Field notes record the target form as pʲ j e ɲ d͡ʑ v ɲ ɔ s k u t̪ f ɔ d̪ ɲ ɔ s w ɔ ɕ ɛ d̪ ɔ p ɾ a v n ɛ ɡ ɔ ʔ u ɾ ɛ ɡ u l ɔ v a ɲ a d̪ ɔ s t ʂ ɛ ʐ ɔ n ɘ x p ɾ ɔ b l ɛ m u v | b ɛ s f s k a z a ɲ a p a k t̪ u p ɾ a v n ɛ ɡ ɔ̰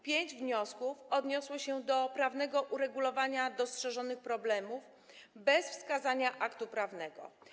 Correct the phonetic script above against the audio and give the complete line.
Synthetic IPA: pʲ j e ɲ d͡ʑ v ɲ ɔ s k u f ɔ d̪ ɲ ɔ s w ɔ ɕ ɛ d̪ ɔ p ɾ a v n ɛ ɡ ɔ ʔ u ɾ ɛ ɡ u l ɔ v a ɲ a d̪ ɔ s t ʂ ɛ ʐ ɔ n ɘ x p ɾ ɔ b l ɛ m u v | b ɛ s f s k a z a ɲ a ʔ a k t̪ u p ɾ a v n ɛ ɡ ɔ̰